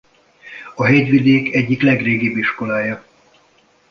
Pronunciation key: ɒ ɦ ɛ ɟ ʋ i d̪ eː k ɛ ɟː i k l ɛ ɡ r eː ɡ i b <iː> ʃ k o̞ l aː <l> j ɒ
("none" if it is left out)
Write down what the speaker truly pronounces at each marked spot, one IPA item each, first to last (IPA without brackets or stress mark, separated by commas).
i, none